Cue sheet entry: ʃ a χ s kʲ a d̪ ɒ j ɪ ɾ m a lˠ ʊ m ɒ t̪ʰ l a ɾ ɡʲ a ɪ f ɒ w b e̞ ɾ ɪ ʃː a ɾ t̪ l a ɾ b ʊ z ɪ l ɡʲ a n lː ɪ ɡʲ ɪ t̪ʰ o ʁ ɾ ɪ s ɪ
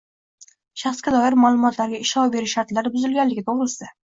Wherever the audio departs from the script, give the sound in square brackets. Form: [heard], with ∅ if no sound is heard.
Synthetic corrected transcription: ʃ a χ s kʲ a d̪ ɒ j ɪ ɾ m a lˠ ʊ m ɒ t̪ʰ l a ɾ ɡʲ a ɪ [ʃ] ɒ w b e̞ ɾ ɪ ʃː a ɾ t̪ l a ɾ b ʊ z ɪ l ɡʲ a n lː ɪ ɡʲ ɪ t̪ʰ o ʁ ɾ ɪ s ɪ